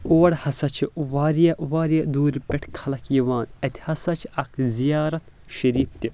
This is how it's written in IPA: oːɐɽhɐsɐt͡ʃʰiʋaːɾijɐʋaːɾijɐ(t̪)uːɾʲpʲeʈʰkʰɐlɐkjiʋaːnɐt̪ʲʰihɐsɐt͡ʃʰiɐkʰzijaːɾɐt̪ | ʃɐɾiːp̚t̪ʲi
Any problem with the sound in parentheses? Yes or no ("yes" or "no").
yes